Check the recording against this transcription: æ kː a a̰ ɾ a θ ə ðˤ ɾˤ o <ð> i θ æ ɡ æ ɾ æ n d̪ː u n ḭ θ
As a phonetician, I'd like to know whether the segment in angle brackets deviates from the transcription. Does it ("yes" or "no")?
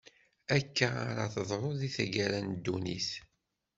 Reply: no